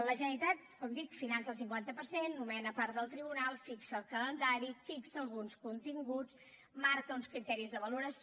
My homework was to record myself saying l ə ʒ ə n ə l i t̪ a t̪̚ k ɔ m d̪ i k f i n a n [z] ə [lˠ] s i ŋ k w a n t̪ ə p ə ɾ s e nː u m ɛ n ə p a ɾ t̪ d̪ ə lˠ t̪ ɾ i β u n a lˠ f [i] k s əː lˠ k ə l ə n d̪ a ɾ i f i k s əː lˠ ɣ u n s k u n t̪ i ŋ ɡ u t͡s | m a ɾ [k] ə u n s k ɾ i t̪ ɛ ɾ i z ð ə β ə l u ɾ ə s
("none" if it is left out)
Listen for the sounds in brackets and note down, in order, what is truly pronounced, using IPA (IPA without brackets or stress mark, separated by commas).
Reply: s, lˠ, i, k